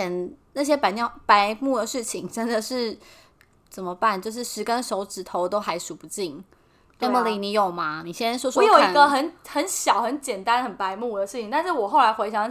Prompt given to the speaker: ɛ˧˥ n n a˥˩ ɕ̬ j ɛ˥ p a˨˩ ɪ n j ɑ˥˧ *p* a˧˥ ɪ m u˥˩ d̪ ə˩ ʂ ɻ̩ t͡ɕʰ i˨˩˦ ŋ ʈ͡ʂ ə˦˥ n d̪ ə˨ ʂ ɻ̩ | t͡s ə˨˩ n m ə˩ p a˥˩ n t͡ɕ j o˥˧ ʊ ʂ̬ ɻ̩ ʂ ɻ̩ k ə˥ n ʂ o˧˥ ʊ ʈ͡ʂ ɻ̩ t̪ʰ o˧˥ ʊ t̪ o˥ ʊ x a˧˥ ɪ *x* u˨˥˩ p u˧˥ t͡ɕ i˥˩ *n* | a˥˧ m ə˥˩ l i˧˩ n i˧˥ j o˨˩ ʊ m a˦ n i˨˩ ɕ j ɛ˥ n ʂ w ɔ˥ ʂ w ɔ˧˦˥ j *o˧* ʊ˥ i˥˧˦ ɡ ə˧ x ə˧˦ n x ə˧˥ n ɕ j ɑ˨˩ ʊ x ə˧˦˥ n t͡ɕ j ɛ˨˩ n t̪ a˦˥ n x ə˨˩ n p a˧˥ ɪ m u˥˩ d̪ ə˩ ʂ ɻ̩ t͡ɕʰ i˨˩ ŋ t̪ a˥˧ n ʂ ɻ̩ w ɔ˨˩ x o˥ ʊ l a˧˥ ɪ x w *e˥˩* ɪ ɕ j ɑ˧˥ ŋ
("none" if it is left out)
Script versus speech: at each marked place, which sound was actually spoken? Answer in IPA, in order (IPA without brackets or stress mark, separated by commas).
p, ʂ, ŋ, o˨˥˩, e˧˥